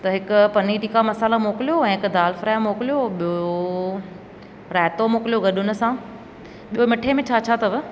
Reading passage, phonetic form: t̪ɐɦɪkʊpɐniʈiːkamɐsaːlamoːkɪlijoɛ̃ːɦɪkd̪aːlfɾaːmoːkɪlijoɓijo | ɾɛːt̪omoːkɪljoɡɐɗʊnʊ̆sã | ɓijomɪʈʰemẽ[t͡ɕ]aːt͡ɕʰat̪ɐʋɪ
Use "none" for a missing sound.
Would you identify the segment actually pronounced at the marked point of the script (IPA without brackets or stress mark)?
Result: t͡ɕʰ